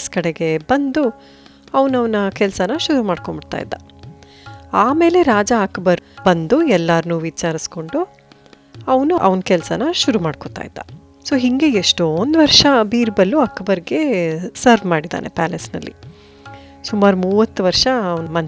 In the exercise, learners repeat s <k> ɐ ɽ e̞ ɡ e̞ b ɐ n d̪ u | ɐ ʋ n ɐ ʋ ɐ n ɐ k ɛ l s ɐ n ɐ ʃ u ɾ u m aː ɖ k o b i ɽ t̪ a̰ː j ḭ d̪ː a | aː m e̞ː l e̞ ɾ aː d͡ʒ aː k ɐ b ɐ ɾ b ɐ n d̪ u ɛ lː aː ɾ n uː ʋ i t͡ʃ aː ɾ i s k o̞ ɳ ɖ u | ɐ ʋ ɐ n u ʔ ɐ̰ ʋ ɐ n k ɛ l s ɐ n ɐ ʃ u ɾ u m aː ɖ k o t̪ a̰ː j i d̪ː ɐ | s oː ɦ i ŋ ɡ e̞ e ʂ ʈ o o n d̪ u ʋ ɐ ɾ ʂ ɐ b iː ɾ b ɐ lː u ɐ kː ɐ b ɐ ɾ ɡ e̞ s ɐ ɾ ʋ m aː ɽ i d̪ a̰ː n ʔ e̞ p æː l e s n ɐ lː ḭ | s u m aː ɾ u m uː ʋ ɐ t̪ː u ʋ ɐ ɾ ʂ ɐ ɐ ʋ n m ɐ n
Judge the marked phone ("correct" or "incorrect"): correct